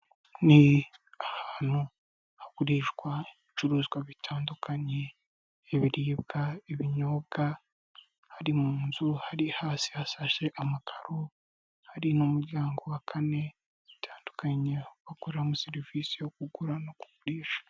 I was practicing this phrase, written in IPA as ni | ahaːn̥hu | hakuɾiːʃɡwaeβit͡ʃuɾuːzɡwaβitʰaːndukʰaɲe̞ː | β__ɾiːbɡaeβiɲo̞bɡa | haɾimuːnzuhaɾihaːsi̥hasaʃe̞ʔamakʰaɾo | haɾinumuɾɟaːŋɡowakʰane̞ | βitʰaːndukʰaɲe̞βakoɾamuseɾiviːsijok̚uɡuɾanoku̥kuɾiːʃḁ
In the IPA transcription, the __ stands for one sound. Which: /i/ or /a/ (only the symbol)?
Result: i